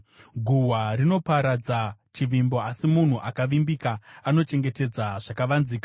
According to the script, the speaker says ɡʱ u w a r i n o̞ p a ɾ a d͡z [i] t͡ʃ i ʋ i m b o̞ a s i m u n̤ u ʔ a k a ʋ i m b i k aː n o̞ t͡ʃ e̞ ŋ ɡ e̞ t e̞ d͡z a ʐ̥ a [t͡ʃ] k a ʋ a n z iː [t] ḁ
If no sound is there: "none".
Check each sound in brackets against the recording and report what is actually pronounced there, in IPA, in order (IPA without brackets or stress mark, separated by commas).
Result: a, none, k